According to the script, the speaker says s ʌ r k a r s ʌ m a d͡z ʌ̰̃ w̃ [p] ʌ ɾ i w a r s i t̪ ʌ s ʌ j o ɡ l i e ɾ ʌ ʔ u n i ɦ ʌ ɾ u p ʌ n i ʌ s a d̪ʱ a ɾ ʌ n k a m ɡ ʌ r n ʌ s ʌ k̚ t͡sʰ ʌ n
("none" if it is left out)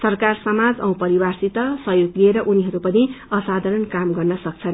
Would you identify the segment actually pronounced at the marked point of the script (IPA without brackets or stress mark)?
p